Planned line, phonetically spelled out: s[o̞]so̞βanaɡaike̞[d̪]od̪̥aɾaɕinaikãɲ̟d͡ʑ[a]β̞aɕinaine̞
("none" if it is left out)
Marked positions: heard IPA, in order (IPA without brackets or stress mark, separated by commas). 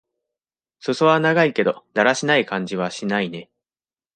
o̞, d̪, i